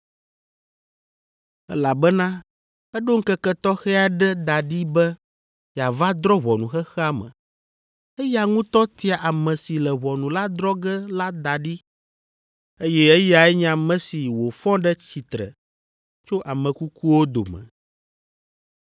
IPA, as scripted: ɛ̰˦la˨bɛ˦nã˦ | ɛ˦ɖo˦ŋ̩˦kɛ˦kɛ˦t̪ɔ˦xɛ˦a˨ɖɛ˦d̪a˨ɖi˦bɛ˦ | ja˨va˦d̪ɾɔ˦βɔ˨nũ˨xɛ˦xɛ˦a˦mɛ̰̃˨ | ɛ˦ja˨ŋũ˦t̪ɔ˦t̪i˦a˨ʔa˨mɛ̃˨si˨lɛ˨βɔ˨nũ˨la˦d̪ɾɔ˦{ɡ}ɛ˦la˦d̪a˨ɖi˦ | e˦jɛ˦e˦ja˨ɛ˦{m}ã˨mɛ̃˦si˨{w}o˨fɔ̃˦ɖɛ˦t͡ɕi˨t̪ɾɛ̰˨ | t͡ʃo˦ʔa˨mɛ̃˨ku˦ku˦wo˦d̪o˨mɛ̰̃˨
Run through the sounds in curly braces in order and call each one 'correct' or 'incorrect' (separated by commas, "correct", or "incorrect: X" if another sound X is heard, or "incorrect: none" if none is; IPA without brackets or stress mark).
correct, incorrect: ɲ, correct